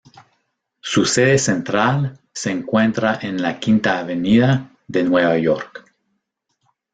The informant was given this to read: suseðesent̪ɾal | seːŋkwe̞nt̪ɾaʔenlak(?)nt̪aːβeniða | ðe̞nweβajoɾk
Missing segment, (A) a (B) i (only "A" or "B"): B